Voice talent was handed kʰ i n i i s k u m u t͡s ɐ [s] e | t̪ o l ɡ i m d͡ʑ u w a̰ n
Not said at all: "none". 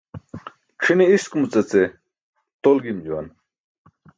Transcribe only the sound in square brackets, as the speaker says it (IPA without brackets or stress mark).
t͡s